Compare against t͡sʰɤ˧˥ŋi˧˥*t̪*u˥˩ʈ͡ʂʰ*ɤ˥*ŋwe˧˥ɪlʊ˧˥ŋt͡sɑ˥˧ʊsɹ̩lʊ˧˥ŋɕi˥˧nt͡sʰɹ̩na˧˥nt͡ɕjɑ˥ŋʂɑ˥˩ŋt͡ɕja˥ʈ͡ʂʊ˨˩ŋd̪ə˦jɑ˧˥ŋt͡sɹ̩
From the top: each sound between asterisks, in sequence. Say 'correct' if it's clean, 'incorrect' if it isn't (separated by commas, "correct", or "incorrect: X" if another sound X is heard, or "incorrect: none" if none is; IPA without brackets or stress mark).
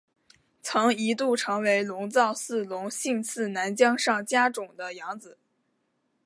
correct, incorrect: ɤ˧˥